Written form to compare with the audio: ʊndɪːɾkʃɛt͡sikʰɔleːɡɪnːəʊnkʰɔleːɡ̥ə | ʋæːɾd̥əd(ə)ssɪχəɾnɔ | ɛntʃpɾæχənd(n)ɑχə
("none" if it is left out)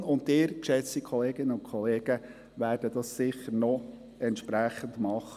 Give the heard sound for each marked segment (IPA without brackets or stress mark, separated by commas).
ɑ, m